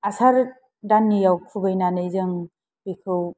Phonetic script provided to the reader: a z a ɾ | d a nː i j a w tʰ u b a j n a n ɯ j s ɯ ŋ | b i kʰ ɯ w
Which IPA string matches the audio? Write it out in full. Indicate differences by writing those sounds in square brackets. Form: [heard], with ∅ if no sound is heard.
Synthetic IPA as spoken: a [s] a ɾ | d a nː i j a w [kʰ] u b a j n a n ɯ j [z] ɯ ŋ | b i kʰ ɯ w